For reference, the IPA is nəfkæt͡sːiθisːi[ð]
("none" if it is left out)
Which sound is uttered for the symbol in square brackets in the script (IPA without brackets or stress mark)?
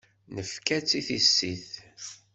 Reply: θ